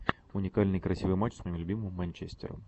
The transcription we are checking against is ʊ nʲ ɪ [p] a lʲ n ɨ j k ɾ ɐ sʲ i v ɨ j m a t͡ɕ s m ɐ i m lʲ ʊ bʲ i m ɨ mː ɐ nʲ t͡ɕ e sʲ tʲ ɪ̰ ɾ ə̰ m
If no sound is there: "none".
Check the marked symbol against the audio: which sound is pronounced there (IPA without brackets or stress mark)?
k